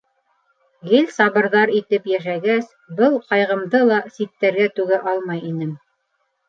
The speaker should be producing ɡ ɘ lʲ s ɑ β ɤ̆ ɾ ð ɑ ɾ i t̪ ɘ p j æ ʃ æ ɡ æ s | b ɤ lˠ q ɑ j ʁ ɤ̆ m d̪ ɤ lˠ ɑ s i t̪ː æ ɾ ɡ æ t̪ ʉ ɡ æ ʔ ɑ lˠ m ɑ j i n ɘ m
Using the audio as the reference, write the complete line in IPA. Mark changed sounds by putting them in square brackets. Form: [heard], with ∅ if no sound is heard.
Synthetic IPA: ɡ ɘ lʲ s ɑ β ɤ̆ ɾ ð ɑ ɾ i t̪ ɘ p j æ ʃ æ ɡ æ s | b ɤ lˠ q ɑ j ʁ ɤ̆ m d̪ ɤ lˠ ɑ s i t̪ː æ ɾ ɡ æ t̪ ʉ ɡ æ ʔ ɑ lˠ m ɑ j i n ɘ m